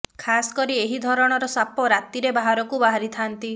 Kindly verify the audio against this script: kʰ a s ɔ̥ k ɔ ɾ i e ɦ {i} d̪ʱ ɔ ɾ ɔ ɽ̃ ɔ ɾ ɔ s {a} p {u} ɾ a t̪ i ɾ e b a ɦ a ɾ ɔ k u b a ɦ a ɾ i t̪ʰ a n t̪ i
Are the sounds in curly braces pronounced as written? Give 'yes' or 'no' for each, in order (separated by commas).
yes, yes, no